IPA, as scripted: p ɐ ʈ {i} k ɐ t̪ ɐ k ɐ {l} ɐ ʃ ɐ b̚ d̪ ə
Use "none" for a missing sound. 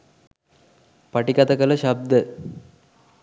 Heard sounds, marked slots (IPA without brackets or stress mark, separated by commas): i, l